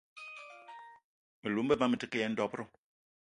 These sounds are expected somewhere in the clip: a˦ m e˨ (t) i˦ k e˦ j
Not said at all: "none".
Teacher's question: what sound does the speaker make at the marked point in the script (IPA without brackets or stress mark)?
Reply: t